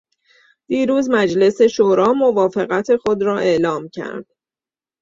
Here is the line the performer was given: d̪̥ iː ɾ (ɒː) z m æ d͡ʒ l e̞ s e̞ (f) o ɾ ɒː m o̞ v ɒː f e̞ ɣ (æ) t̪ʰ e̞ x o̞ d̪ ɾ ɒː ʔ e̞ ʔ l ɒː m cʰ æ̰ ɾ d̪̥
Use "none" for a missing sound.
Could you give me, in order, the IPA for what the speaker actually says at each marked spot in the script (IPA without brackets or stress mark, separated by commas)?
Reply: uː, ʃ, æ